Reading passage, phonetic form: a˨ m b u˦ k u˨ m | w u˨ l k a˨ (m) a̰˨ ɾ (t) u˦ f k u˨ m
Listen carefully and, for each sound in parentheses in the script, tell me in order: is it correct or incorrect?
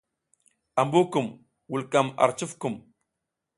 correct, incorrect

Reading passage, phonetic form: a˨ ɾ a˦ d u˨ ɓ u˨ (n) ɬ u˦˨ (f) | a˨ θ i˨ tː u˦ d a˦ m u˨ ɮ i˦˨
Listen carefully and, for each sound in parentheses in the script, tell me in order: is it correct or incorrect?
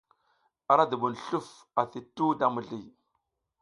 correct, correct

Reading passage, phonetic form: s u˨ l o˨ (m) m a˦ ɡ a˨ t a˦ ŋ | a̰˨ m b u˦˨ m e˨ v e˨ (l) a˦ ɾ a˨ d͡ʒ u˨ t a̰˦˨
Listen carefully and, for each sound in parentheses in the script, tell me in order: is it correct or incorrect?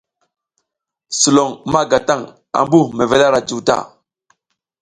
incorrect, correct

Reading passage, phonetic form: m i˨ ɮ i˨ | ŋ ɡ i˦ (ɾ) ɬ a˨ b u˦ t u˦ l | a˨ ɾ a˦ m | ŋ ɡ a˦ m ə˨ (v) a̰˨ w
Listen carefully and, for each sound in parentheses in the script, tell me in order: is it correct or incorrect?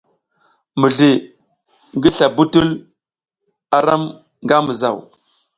incorrect, incorrect

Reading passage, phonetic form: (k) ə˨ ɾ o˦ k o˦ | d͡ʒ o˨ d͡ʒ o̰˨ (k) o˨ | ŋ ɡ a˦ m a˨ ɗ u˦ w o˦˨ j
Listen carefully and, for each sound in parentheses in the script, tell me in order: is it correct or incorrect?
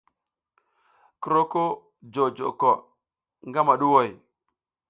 correct, correct

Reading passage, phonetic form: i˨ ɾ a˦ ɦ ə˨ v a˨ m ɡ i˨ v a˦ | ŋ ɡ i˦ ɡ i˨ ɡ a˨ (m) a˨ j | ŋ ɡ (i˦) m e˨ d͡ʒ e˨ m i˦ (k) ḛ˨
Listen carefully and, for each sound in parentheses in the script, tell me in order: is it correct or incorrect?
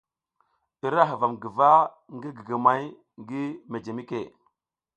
correct, correct, correct

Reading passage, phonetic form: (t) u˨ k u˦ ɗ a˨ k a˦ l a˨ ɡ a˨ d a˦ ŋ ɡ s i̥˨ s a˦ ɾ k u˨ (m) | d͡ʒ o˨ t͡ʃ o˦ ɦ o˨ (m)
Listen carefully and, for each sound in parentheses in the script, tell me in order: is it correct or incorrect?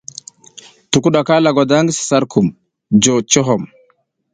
correct, correct, correct

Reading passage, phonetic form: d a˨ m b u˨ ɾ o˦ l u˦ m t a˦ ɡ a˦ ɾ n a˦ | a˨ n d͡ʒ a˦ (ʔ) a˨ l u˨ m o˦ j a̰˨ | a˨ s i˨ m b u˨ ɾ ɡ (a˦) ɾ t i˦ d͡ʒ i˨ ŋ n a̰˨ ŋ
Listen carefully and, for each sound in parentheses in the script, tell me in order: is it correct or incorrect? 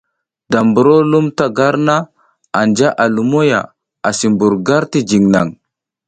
correct, correct

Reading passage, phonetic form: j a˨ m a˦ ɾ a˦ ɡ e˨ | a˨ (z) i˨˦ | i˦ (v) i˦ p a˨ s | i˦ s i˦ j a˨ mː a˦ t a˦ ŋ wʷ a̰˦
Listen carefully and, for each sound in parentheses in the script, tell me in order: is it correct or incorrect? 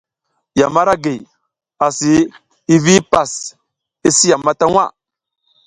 incorrect, correct

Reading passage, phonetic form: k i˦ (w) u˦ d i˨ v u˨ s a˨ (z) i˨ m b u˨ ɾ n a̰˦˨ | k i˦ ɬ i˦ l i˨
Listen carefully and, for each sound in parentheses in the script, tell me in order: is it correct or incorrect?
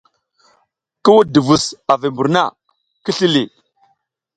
correct, incorrect

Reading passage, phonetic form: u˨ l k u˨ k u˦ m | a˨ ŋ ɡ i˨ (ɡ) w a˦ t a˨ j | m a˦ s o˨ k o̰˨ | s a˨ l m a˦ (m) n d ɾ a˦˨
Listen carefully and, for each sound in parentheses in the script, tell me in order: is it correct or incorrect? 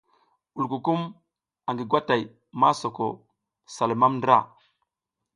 correct, correct

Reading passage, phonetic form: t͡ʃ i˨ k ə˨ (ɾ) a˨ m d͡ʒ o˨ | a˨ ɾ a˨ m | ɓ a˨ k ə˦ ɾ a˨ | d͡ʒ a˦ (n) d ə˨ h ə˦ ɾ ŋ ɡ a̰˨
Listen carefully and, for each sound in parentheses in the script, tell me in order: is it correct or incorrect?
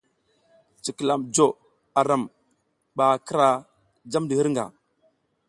incorrect, incorrect

